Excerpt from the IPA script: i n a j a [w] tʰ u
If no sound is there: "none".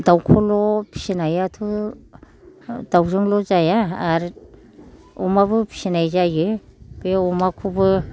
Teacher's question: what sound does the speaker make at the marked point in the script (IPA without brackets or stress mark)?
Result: none